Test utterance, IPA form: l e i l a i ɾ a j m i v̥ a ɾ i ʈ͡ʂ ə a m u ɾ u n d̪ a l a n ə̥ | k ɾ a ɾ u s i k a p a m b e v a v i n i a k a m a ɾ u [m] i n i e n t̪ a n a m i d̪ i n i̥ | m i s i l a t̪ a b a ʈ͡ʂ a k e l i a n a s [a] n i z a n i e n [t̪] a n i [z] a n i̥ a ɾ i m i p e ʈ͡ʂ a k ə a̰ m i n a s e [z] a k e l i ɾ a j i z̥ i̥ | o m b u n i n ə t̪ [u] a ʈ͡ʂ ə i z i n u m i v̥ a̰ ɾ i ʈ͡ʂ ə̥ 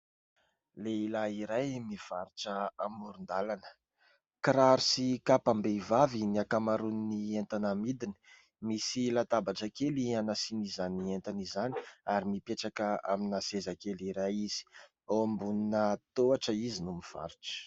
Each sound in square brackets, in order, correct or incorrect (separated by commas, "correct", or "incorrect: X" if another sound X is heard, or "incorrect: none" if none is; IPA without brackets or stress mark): incorrect: n, incorrect: i, correct, correct, correct, incorrect: o